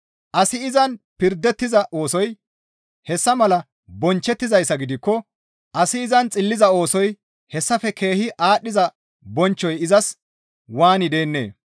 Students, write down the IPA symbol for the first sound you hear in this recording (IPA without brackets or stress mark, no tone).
ʔ